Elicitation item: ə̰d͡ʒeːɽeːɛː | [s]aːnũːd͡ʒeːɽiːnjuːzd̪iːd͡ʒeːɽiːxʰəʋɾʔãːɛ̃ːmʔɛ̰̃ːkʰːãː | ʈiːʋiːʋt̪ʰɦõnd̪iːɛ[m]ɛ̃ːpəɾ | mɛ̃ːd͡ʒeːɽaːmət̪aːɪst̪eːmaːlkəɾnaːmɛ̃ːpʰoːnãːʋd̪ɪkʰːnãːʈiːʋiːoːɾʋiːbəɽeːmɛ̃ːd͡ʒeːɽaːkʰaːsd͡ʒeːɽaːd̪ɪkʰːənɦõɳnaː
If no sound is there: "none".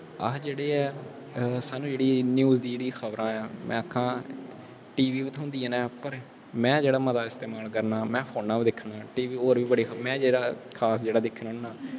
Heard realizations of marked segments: s, n

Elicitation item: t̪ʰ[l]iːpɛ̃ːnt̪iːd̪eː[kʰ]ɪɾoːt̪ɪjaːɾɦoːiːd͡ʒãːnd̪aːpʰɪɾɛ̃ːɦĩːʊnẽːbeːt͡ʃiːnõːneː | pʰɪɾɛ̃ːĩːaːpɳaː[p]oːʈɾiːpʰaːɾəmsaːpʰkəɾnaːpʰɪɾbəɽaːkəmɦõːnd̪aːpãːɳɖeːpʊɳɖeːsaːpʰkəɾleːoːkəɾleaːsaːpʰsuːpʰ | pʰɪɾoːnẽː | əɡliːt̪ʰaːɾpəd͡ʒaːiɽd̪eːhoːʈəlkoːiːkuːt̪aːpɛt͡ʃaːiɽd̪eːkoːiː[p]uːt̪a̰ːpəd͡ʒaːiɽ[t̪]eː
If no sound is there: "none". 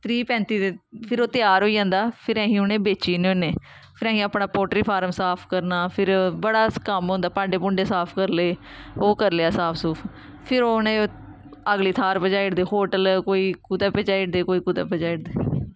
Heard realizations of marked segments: ɾ, pʰ, p, k, d̪

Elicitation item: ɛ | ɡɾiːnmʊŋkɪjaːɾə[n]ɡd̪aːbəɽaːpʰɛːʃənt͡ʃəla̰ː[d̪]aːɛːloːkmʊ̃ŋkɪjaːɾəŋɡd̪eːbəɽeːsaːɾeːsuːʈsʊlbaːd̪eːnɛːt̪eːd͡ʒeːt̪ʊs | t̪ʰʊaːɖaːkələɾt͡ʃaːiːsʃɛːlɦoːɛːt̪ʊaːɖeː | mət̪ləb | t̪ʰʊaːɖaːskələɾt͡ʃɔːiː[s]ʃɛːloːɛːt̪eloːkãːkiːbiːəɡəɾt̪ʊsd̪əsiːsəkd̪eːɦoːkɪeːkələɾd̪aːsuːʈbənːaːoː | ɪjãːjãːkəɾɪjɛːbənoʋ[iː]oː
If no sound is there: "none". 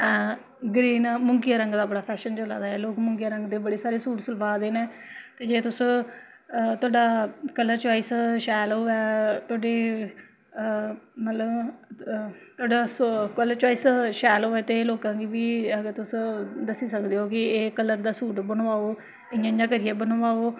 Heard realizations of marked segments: ŋ, d̪, s, aː

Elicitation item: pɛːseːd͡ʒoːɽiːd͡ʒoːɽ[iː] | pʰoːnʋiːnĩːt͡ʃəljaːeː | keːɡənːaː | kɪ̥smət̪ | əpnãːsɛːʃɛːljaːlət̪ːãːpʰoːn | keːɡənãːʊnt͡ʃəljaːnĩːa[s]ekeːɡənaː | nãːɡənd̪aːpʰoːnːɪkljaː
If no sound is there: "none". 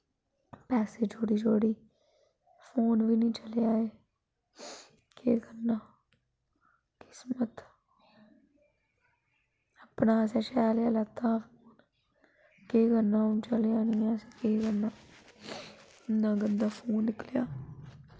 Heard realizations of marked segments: iː, s

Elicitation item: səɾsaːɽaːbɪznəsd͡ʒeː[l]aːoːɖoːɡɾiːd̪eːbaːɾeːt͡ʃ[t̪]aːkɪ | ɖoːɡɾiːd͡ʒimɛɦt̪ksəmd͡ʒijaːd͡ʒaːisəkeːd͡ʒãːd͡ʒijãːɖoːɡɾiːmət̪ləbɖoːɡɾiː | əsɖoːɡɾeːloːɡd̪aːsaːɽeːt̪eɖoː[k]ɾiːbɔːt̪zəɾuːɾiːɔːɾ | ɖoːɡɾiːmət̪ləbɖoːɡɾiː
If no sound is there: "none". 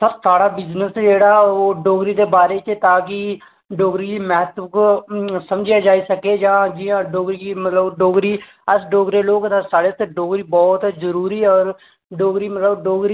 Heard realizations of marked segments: ɽ, t̪, ɡ

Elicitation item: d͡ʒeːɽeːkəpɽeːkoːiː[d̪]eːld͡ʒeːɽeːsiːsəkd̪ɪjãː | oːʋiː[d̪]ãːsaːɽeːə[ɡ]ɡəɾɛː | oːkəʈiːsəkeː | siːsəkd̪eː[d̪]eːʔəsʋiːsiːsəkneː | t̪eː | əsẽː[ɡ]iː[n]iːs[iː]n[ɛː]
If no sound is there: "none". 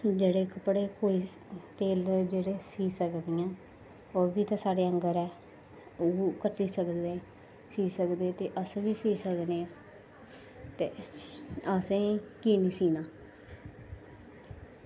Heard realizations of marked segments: t̪, t̪, ŋ, t̪, k, n, iː, aː

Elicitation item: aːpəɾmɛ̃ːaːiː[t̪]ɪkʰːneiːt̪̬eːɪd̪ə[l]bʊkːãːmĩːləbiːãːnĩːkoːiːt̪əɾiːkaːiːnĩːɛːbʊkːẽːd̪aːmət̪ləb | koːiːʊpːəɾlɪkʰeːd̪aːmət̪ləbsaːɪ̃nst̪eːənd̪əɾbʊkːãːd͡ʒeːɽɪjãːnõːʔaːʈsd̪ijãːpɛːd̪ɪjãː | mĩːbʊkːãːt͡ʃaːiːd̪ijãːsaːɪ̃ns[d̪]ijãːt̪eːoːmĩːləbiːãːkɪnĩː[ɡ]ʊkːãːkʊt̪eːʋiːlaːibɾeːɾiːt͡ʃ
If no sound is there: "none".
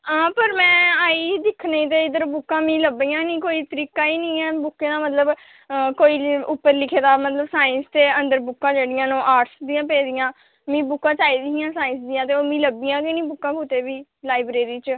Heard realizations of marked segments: d̪, ɾ, d̪, b

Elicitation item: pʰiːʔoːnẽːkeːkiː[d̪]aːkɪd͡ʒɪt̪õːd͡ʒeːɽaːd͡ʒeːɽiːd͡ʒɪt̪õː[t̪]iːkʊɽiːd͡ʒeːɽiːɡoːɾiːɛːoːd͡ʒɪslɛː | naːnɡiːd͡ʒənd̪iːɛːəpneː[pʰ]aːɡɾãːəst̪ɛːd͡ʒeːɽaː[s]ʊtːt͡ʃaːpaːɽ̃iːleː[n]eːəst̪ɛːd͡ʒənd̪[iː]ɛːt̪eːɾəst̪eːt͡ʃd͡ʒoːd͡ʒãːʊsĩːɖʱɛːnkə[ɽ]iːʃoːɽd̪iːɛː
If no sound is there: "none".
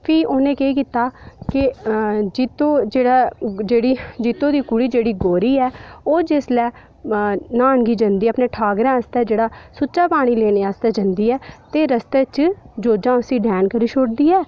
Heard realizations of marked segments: t̪, d̪, ʈʰ, s, n, iː, ɾ

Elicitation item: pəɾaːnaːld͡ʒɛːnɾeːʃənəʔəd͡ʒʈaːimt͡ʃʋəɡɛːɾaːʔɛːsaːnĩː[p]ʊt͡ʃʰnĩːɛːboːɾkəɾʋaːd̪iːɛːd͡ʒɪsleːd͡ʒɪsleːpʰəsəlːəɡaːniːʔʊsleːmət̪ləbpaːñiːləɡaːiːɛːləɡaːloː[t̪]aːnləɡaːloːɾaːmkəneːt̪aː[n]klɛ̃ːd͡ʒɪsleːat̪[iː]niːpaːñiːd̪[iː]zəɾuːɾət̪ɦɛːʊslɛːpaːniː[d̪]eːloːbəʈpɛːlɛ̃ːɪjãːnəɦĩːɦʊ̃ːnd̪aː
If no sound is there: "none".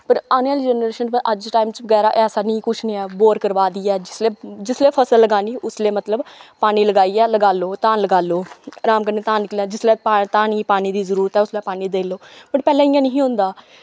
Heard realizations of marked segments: k, t̪, n, aː, iː, d̪

